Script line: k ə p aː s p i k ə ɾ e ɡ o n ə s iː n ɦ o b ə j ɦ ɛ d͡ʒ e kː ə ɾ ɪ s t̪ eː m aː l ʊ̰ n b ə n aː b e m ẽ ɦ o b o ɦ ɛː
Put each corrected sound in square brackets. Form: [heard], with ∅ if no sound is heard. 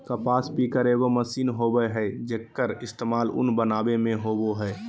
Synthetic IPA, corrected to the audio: k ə p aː s p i k ə ɾ e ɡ o [m] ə s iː n ɦ o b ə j ɦ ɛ d͡ʒ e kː ə ɾ ɪ s t̪ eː m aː l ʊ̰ n b ə n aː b e m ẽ ɦ o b o ɦ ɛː